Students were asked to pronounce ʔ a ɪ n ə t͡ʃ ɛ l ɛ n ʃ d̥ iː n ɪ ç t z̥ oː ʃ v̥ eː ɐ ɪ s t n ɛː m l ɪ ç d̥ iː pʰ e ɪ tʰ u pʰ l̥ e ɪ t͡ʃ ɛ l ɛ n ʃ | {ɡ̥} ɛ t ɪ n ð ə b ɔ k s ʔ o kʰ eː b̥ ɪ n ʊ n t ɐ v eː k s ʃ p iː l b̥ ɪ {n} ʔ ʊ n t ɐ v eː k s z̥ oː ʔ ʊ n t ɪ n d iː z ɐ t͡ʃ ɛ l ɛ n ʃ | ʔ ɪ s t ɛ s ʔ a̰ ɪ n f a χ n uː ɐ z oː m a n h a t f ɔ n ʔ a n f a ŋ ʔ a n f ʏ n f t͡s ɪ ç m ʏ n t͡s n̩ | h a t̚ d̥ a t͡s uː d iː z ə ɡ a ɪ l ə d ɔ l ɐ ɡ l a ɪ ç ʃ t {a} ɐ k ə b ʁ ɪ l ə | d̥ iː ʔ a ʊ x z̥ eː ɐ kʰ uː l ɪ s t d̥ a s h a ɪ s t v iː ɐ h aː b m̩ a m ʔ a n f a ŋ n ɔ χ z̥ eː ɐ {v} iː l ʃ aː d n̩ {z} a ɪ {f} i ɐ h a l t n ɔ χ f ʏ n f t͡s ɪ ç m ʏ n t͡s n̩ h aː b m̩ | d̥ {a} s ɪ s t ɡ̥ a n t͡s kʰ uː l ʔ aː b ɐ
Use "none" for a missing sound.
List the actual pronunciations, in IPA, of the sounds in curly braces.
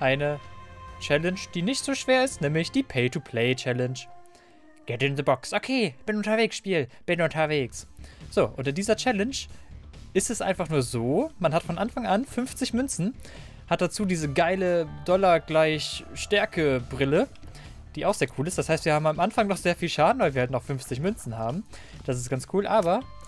ɡ̥, n, ɛ, f, v, v, a

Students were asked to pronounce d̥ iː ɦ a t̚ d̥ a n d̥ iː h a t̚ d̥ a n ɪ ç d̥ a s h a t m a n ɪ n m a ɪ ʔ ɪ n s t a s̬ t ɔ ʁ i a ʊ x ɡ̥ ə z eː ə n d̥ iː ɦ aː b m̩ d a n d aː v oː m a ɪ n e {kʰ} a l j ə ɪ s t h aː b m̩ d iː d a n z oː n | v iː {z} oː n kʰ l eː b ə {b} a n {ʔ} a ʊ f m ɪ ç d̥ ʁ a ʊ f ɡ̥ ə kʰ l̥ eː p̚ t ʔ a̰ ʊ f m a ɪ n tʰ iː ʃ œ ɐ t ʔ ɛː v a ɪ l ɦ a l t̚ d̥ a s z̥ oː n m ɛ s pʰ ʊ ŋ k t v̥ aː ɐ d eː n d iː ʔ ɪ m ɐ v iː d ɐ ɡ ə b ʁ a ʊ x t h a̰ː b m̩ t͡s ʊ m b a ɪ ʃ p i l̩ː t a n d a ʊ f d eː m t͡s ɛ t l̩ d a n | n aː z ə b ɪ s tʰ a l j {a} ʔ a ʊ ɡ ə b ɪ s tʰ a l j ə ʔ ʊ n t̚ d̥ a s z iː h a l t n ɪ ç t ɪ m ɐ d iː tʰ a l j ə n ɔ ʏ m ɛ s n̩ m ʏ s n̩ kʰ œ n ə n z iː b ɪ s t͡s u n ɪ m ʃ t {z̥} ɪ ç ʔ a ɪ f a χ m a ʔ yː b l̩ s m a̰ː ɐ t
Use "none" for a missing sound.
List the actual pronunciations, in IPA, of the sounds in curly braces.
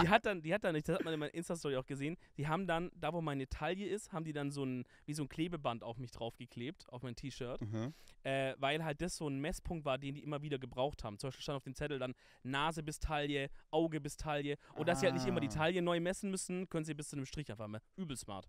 tʰ, z, b, t, ə, ʁ̥

